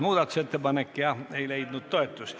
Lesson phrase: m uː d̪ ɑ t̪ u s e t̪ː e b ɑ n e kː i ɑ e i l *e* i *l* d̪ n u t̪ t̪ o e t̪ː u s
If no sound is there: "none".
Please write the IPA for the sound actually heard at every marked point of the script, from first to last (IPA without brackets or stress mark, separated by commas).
e, none